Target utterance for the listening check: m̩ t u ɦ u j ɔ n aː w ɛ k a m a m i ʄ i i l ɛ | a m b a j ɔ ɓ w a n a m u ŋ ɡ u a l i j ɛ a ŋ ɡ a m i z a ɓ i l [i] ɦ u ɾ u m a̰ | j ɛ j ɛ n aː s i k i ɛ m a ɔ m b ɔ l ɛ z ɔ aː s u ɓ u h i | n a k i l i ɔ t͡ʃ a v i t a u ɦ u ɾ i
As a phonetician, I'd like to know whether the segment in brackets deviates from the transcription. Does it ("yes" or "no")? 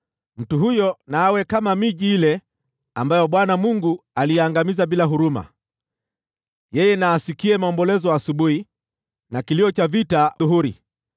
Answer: yes